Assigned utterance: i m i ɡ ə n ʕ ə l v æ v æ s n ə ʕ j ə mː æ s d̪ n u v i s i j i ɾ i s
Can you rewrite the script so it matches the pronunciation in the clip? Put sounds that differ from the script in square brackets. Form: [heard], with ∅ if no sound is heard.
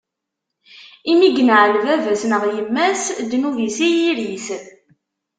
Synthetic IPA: i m i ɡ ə n ʕ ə l v æ v æ s n ə [ʁ] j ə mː æ s d̪ n u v i s i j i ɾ i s